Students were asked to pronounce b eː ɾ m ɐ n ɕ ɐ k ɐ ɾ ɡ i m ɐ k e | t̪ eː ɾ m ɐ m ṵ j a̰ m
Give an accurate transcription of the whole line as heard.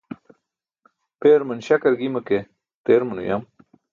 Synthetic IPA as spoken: p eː ɾ m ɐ n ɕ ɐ k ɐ ɾ ɡ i m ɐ k e | t̪ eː ɾ m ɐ n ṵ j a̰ m